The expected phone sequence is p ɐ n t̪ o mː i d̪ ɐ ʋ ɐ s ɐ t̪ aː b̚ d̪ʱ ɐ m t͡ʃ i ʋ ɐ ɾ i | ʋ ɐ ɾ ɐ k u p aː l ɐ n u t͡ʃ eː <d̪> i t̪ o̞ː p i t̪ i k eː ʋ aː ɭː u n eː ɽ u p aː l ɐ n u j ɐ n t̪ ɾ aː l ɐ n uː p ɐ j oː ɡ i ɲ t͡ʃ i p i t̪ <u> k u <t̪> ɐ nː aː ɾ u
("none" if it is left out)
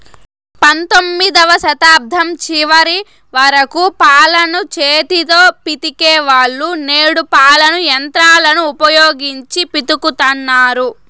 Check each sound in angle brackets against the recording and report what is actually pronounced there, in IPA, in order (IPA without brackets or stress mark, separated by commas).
t̪, u, t̪